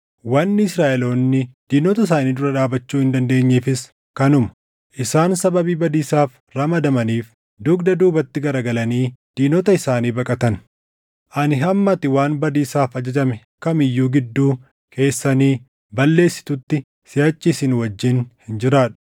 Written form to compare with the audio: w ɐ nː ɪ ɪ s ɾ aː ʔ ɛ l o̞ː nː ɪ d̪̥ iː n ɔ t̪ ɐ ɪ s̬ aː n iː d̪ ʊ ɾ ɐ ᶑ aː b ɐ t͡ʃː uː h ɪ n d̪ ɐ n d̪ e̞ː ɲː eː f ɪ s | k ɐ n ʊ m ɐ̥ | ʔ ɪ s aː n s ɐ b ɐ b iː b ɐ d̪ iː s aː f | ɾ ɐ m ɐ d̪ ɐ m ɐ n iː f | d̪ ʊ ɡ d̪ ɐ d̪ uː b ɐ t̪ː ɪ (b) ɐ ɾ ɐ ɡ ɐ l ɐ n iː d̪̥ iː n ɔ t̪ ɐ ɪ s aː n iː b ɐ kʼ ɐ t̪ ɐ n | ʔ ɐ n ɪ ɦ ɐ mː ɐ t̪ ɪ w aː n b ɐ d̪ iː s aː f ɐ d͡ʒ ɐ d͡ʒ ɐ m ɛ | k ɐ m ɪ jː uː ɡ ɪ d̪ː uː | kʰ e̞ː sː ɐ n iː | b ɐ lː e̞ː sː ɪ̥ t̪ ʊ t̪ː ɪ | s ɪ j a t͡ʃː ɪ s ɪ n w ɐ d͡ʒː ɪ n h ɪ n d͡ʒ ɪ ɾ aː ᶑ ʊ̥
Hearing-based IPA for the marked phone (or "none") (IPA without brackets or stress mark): ɡ